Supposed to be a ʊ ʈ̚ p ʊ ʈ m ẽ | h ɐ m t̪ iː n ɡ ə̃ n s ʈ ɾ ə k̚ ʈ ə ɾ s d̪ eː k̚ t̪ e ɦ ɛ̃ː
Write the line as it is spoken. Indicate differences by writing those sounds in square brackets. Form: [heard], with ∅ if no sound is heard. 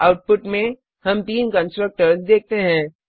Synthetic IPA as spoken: a ʊ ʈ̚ p ʊ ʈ m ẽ | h ɐ m t̪ iː n [k] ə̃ n s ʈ ɾ ə k̚ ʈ ə ɾ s d̪ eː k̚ t̪ e ɦ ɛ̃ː